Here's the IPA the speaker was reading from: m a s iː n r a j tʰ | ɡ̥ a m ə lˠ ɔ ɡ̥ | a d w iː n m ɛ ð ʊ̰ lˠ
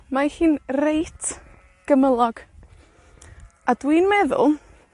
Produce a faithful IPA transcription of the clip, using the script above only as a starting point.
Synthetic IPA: m a h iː n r e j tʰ | ɡ̥ ə m ə lˠ ɔ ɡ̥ | a d w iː n m ɛ ð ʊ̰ lˠ